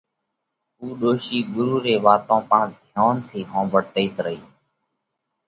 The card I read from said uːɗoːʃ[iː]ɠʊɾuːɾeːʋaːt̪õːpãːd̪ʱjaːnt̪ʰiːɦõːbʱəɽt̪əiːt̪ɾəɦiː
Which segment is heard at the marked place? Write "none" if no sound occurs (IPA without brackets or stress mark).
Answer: iː